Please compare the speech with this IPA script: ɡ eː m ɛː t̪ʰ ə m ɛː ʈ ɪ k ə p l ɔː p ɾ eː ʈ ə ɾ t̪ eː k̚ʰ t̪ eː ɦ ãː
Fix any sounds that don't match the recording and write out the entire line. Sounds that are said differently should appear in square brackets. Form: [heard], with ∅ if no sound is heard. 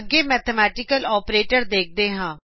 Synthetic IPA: ɡ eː m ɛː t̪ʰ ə m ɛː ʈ ɪ k ə [∅] l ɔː p ɾ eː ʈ ə ɾ [d̪] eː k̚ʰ [d̪] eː ɦ ãː

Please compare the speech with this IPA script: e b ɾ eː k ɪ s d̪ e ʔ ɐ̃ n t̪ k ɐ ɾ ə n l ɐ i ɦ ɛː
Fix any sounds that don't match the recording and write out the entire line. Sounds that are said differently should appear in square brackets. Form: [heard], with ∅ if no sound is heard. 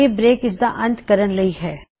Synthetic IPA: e b ɾ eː k ɪ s d̪ [a] ʔ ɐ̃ n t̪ k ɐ ɾ ə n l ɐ i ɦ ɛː

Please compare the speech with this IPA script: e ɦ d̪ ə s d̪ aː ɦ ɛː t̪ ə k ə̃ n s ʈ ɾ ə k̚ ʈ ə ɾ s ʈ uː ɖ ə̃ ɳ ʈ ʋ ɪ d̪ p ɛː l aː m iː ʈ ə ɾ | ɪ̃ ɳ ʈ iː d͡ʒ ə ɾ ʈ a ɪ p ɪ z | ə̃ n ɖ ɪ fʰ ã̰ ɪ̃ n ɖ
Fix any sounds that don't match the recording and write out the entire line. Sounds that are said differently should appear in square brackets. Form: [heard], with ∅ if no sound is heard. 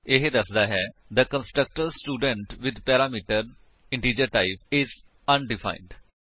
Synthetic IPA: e ɦ d̪ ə s d̪ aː ɦ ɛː [d̪] ə k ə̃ n s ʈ ɾ ə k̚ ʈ ə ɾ s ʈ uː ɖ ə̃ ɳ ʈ ʋ ɪ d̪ p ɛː [ɾ] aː m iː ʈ ə ɾ | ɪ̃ ɳ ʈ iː d͡ʒ ə ɾ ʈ a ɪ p ɪ z | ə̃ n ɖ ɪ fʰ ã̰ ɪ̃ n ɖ

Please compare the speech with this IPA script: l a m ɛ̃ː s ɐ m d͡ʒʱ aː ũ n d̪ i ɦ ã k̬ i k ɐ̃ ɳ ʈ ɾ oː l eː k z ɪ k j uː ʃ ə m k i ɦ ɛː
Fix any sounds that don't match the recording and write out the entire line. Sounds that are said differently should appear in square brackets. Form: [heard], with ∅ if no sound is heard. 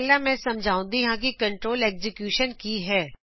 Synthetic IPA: l a m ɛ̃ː s ɐ m d͡ʒʱ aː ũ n d̪ i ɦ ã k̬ i k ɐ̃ ɳ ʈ ɾ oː l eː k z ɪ k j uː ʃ ə [n] k i ɦ ɛː

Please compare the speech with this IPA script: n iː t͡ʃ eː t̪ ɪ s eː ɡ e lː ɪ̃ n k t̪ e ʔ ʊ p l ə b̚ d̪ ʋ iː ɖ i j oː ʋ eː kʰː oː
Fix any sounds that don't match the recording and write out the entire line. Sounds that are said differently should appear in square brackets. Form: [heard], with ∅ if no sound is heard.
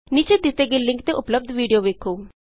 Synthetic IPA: n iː t͡ʃ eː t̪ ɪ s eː ɡ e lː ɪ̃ [ŋ] k t̪ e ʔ ʊ p l ə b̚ d̪ ʋ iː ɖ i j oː ʋ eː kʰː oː

